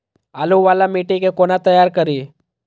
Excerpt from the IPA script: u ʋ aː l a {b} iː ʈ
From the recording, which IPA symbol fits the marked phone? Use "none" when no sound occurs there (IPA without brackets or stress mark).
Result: m